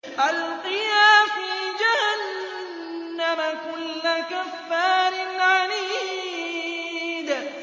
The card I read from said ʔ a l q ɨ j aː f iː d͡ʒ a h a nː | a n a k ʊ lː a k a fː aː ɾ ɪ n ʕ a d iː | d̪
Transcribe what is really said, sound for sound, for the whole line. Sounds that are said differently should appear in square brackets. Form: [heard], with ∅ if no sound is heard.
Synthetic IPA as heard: ʔ a l q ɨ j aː f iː d͡ʒ a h a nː | a [m] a k ʊ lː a k a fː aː ɾ ɪ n ʕ a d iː | d̪

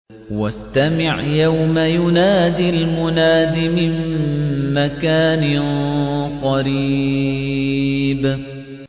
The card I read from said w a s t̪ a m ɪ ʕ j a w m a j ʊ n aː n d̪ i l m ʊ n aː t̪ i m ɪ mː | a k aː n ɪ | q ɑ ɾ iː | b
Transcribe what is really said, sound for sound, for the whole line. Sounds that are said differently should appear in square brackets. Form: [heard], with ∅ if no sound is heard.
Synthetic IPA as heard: w a s t̪ a m ɪ ʕ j a w m a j ʊ n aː [∅] d̪ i l m ʊ n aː [d̪] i m ɪ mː | a k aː n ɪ | q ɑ ɾ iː | b

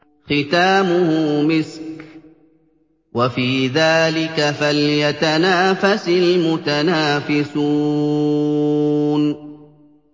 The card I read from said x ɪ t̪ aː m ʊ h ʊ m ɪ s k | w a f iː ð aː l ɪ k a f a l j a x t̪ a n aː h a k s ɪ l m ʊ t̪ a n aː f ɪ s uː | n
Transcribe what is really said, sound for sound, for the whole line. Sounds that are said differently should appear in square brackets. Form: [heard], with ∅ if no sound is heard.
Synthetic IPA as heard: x ɪ t̪ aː m ʊ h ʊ m ɪ s k | w a f iː ð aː l ɪ k a f a l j a [∅] t̪ a n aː [f] a [∅] s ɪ l m ʊ t̪ a n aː f ɪ s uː | n

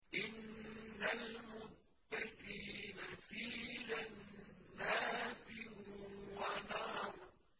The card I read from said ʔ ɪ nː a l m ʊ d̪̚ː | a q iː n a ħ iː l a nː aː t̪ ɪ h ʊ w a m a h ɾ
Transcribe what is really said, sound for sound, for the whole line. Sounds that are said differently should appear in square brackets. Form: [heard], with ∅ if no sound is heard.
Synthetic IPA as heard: ʔ ɪ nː a l m ʊ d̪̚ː | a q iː n a [f] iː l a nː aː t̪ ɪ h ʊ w a [n] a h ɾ

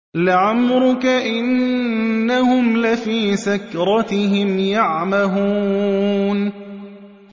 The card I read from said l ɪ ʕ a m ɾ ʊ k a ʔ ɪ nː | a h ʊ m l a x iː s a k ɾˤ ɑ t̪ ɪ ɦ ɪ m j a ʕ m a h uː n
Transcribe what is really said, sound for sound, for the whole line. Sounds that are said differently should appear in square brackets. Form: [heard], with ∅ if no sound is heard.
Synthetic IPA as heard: l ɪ ʕ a m ɾ ʊ k a ʔ ɪ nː | a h ʊ m l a [f] iː s a k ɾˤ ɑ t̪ ɪ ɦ ɪ m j a ʕ m a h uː n

